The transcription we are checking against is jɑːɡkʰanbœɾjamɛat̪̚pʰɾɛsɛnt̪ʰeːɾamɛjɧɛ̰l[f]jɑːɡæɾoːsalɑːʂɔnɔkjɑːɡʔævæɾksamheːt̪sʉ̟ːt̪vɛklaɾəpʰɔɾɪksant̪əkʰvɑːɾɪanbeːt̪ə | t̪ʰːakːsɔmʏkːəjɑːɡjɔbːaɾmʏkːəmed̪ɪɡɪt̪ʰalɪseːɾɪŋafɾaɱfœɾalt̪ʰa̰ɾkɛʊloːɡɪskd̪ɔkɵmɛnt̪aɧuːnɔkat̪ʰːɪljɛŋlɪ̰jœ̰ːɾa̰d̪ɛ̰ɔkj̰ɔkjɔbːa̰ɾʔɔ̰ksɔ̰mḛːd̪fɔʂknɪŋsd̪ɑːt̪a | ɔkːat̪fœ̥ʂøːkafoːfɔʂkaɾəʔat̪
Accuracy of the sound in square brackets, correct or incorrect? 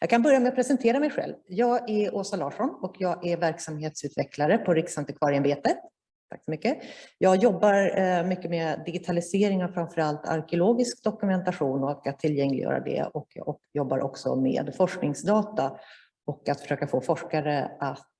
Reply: incorrect